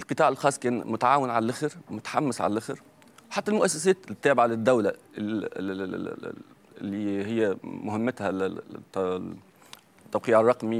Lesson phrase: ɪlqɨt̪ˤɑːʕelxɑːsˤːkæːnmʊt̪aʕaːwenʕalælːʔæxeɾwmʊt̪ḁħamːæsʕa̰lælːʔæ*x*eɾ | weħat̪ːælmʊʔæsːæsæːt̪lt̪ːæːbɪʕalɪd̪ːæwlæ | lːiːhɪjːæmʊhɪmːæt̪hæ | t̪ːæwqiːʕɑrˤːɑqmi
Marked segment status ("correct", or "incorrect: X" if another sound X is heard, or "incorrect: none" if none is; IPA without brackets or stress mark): correct